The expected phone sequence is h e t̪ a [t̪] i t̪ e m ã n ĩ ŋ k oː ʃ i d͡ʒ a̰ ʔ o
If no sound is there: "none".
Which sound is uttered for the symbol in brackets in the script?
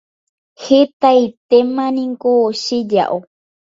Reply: none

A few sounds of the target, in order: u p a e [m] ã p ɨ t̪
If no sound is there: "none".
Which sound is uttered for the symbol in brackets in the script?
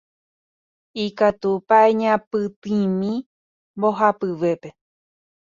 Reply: ɲ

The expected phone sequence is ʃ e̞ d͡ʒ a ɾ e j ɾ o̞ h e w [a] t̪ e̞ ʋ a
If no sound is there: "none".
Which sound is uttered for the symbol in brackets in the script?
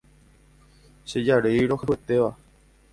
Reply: e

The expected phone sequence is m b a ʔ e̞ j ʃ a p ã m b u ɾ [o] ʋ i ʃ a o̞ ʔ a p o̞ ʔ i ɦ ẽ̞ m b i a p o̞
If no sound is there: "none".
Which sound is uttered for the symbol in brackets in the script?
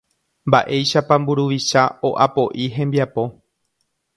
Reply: u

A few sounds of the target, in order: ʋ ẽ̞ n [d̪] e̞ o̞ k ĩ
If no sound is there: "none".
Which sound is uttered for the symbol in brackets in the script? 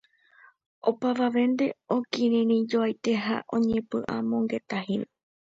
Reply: d̪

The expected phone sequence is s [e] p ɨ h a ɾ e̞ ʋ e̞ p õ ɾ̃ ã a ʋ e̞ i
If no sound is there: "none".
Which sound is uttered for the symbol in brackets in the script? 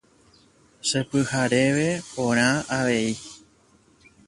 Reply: e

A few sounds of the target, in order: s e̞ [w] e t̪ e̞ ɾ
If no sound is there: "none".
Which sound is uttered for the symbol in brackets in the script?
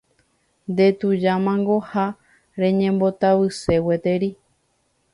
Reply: w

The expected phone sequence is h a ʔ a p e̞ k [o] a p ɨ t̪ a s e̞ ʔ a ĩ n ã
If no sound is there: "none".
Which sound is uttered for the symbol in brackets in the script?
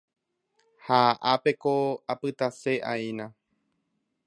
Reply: o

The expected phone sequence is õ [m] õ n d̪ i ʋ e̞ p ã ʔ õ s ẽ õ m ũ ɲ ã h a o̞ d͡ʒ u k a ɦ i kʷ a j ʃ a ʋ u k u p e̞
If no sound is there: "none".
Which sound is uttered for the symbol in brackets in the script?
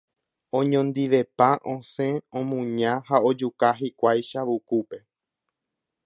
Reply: ɲ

